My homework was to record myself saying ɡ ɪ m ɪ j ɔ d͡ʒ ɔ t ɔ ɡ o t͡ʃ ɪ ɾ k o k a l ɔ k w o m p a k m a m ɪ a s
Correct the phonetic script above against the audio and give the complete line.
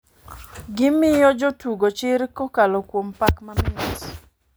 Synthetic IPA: ɡ ɪ m ɪ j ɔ d͡ʒ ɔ t u ɡ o t͡ʃ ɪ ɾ k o k a l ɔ k w o m p a k m a m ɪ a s